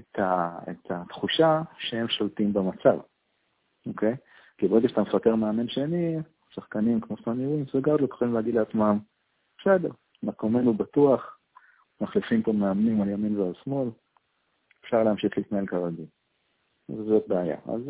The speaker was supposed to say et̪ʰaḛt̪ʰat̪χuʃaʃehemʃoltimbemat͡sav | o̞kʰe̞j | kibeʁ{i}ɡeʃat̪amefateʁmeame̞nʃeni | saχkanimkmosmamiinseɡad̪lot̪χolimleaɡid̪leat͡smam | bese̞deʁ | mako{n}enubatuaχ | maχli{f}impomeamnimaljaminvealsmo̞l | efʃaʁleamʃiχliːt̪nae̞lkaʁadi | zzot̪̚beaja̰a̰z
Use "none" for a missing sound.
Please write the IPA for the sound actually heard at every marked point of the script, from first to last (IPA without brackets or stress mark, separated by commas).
e, m, f